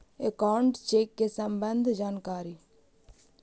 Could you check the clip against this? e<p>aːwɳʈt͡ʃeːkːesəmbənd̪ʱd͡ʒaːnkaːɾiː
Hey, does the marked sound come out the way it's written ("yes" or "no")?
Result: no